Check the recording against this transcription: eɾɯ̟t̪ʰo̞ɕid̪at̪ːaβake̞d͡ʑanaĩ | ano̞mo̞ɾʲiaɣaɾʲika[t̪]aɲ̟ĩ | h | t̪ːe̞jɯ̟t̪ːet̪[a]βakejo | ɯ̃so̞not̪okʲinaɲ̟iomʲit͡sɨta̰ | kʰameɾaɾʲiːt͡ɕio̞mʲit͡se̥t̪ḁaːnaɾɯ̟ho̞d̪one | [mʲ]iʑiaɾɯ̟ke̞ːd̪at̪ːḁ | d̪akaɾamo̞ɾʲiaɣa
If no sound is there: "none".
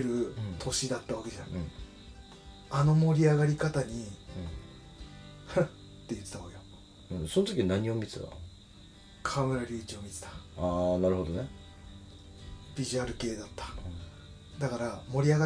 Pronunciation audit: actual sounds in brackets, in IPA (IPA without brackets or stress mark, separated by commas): t̪, a, bʲ